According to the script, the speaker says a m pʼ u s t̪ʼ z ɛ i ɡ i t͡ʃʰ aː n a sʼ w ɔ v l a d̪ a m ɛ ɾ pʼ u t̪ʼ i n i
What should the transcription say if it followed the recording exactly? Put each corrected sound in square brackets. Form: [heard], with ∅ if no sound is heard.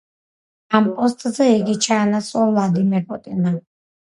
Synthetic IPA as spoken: a m pʼ [ɔ] s t̪ʼ z ɛ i ɡ i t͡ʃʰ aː n a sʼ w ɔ v l a d̪ [i] m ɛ ɾ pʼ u t̪ʼ i n [a]